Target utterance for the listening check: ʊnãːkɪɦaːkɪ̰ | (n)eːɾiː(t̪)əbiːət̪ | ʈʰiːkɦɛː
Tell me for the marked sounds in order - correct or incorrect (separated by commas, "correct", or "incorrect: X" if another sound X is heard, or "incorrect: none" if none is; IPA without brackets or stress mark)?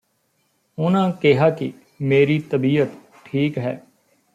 incorrect: m, correct